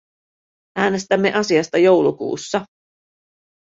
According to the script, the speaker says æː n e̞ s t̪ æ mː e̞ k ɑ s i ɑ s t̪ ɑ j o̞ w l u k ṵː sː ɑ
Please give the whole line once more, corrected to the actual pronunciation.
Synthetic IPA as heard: æː n e̞ s t̪ æ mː e̞ ʔ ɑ s i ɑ s t̪ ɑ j o̞ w l u k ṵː sː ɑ